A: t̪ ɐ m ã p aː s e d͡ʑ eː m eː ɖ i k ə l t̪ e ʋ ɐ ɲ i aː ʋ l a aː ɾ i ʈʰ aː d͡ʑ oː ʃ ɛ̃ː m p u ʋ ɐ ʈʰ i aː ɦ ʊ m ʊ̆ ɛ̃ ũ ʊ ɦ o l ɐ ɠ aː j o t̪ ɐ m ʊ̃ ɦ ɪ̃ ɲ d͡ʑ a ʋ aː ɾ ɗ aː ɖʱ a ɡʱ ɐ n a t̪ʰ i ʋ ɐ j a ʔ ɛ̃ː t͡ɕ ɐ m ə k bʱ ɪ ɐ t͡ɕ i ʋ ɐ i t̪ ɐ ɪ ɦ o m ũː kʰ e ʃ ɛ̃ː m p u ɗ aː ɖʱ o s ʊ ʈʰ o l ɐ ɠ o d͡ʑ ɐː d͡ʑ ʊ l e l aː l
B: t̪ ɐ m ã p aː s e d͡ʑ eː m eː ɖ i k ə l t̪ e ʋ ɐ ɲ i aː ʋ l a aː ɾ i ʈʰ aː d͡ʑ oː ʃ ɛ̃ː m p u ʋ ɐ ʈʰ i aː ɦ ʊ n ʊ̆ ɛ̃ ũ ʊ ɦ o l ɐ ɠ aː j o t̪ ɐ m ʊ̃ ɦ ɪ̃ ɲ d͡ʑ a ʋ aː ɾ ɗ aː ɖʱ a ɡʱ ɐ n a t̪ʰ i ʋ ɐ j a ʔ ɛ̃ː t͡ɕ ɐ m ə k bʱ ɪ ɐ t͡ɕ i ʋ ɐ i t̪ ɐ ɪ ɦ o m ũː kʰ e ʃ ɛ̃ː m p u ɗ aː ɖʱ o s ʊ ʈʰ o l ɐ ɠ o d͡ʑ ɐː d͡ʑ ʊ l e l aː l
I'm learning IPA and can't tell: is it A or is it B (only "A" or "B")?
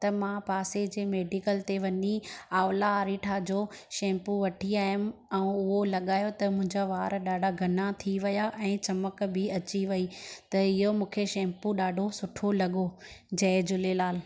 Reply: A